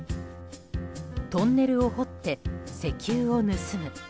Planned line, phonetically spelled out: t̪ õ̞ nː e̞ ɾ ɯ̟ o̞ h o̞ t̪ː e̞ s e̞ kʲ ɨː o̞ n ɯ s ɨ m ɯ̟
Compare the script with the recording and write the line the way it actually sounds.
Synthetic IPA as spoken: t̪ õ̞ nː e̞ ɾ ɯ̟ o̞ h o̞ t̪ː e̞ s e̞ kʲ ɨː o̞ n ɯ s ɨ m ɯ̟